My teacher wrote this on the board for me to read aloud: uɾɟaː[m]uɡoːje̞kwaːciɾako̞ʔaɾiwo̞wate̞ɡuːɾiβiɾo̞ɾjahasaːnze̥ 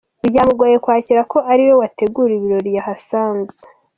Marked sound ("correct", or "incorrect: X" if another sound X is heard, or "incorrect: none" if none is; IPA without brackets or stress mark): correct